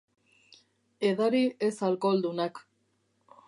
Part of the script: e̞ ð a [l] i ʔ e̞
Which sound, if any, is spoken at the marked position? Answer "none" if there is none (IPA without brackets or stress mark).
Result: ɾ